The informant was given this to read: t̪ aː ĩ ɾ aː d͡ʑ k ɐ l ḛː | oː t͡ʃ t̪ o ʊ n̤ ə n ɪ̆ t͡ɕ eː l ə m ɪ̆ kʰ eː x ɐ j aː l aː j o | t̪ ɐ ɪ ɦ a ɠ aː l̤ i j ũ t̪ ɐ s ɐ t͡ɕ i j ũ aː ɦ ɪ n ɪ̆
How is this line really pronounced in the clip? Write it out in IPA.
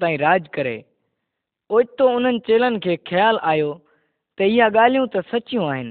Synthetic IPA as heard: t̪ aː ĩ ɾ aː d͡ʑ k ɐ ɾ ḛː | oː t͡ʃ t̪ o ʊ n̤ ə n ɪ̆ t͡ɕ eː l ə n ɪ̆ kʰ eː x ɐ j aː l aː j o | t̪ ɐ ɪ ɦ a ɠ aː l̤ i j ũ t̪ ɐ s ɐ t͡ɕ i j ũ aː ɦ ɪ n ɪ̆